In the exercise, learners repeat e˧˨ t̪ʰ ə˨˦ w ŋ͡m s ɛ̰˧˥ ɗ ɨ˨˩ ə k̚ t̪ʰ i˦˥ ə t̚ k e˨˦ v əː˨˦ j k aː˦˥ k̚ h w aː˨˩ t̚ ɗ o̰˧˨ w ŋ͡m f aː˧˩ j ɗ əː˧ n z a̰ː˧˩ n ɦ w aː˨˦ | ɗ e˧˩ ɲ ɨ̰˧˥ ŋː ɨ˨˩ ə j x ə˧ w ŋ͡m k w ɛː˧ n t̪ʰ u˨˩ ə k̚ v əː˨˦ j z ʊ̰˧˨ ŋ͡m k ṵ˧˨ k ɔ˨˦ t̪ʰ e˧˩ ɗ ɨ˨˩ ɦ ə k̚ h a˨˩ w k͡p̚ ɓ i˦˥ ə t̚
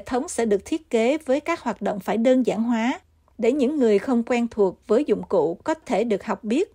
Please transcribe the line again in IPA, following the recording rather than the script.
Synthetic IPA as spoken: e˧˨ t̪ʰ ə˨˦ w ŋ͡m s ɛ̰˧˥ ɗ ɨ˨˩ ə k̚ t̪ʰ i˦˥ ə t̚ k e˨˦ v əː˨˦ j k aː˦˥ k̚ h w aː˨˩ t̚ ɗ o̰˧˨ w ŋ͡m f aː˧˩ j ɗ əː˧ n z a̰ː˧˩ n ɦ w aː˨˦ | ɗ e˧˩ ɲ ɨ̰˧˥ ŋː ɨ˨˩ ə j x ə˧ w ŋ͡m k w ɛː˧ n t̪ʰ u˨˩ ə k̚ v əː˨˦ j z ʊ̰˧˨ ŋ͡m k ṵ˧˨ k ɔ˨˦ t̪ʰ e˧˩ ɗ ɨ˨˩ ə k̚ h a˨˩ w k͡p̚ ɓ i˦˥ ə t̚